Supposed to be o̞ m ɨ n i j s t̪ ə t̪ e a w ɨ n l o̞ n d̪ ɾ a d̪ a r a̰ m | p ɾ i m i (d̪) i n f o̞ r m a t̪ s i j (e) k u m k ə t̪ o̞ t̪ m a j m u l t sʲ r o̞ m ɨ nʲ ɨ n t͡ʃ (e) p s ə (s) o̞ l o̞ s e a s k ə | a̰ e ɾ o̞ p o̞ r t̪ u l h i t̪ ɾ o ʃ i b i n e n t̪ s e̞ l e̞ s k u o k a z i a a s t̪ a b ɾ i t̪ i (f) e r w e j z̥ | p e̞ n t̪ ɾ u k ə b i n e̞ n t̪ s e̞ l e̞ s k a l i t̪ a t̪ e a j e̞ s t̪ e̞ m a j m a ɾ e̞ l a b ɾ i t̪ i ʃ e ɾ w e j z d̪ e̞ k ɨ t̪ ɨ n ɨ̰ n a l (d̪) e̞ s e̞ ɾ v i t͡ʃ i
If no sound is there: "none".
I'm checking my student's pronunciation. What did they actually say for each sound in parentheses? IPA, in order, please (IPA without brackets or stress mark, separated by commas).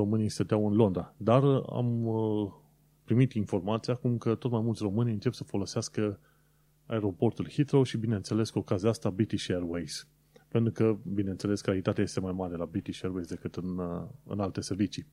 t̪, a, e, f, ʃ, t̪